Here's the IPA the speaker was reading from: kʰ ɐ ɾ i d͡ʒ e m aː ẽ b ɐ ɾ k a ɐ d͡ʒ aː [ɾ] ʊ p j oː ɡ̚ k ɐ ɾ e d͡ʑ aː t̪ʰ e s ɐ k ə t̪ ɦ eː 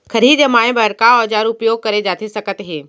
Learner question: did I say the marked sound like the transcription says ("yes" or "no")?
yes